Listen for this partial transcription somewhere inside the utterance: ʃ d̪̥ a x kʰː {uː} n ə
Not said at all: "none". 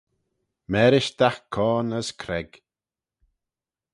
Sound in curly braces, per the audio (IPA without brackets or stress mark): ɔː